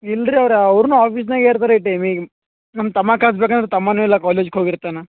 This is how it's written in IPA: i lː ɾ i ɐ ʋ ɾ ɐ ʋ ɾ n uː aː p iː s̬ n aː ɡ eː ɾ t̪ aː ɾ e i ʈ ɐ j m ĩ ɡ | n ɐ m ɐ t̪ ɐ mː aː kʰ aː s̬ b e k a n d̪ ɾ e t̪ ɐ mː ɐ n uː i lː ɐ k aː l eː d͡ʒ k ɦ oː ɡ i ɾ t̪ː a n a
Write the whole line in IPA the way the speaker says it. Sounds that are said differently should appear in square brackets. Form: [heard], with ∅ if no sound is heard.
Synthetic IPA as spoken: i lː ɾ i ɐ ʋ ɾ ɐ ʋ ɾ n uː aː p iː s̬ n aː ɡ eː ɾ t̪ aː ɾ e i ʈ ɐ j m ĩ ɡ | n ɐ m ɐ t̪ ɐ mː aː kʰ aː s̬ b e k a n d̪ ɾ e t̪ ɐ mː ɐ n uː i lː ɐ k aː l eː d͡ʒ k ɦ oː ɡ i ɾ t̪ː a n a